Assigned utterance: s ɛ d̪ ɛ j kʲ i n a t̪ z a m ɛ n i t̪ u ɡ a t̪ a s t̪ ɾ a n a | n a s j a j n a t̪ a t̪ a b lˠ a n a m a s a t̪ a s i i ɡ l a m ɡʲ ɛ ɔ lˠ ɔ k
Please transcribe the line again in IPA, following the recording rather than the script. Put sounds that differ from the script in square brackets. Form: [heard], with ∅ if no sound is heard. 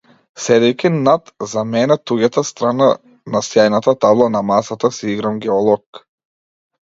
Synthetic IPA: s ɛ d̪ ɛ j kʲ i n a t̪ z a m ɛ n [ɛ] t̪ u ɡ a t̪ a s t̪ ɾ a n a | n a s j a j n a t̪ a t̪ a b lˠ a n a m a s a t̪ a s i i ɡ [ɾ] a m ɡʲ ɛ ɔ lˠ ɔ k